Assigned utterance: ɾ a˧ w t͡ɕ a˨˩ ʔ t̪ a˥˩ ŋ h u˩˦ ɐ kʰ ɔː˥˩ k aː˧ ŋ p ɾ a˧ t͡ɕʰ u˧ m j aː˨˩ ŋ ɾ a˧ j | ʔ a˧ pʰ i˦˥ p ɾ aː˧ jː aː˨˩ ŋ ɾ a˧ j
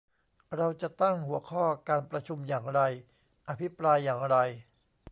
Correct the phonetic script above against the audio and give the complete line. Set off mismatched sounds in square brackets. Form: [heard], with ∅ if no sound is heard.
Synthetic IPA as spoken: ɾ a˧ w t͡ɕ a˨˩ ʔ t̪ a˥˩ ŋ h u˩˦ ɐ kʰ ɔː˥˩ k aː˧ [n] p ɾ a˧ t͡ɕʰ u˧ m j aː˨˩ ŋ ɾ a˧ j | ʔ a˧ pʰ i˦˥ p ɾ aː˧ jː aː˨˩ ŋ ɾ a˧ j